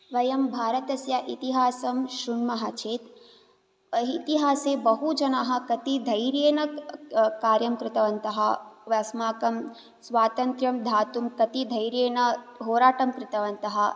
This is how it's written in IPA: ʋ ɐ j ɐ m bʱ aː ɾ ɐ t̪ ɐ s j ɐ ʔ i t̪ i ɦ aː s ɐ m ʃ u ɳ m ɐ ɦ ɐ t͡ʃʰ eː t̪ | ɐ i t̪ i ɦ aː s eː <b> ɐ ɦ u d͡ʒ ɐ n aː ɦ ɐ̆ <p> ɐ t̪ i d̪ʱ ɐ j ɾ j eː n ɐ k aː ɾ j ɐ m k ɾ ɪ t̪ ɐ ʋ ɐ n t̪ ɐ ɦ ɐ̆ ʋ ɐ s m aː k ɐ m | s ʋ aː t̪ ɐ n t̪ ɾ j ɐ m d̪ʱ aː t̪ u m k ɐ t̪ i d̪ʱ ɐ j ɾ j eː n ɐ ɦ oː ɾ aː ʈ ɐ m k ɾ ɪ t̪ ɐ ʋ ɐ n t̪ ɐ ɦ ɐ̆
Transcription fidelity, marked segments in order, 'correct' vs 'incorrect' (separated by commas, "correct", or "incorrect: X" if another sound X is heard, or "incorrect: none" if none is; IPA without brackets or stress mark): correct, incorrect: k